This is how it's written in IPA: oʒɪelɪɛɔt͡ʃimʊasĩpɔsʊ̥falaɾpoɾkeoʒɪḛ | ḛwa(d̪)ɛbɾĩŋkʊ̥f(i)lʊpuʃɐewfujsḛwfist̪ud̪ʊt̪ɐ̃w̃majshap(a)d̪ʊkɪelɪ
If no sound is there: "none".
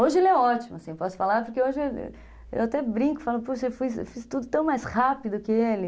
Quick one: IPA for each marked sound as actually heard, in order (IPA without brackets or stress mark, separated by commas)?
t̪, a, i